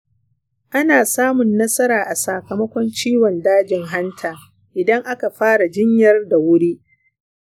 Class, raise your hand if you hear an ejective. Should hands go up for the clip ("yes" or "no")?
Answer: no